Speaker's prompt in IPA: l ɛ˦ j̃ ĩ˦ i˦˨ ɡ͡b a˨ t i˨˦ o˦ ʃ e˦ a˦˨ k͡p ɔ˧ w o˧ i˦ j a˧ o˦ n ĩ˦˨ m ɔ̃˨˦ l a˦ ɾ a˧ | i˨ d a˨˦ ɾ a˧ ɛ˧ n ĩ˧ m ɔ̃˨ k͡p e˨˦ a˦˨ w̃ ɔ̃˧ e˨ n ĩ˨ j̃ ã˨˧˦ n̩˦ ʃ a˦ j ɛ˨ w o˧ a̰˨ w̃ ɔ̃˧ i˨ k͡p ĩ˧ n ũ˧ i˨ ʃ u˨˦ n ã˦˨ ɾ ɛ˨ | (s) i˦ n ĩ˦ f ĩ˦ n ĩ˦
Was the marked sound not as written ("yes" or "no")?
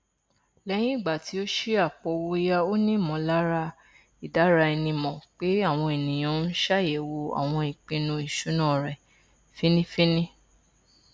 yes